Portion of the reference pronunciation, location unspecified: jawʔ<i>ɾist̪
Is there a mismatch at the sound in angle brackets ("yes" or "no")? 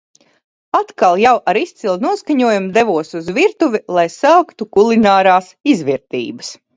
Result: yes